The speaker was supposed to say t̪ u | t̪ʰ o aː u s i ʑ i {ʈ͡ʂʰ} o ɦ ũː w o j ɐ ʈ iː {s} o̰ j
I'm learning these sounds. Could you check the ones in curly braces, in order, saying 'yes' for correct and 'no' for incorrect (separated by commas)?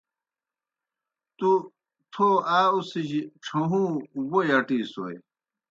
yes, yes